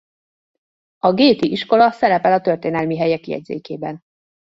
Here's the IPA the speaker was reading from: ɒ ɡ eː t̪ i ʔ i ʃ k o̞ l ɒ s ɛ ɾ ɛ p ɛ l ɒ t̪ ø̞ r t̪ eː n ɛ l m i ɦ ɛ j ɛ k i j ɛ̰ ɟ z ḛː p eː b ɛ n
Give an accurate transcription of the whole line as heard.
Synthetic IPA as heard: ɒ ɡ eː t̪ i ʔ i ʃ k o̞ l ɒ s ɛ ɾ ɛ p ɛ l ɒ t̪ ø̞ r t̪ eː n ɛ l m i ɦ ɛ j ɛ k i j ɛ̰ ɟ z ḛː k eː b ɛ n